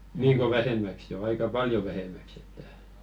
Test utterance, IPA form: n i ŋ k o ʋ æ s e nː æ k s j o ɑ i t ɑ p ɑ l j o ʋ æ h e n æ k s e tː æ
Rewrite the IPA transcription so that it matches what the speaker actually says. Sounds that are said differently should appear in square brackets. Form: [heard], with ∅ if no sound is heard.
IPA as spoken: n [iː] ŋ k o ʋ æ [h] e [mː] æ k s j o ɑ i [k] ɑ p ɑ l j o ʋ æ h e [m] æ k s e tː æ